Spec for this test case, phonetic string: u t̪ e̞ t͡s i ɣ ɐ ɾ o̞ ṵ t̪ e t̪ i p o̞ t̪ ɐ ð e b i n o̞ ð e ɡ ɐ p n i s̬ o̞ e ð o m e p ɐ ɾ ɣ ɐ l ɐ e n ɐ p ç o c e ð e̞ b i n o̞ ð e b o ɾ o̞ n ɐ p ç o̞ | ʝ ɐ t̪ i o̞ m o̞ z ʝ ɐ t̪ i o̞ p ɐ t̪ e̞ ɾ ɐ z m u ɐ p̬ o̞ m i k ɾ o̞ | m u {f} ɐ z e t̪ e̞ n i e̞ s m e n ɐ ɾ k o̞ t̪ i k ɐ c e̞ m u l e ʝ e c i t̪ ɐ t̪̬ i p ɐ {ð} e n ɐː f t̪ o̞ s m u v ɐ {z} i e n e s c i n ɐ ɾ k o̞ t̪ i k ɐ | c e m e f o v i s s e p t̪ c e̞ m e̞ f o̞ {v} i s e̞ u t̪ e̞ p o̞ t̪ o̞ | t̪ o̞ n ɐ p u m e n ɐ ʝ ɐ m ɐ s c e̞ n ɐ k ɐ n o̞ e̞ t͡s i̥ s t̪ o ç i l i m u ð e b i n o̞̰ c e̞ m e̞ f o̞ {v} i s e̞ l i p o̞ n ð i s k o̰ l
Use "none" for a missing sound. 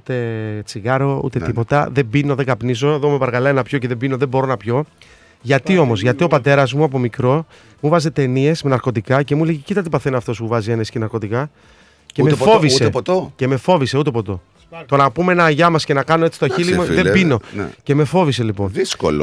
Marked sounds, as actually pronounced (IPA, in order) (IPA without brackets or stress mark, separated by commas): v, θ, z, v, v